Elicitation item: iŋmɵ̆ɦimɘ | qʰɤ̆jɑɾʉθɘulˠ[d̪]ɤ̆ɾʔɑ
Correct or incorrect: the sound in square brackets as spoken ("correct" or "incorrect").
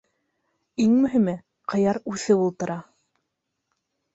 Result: incorrect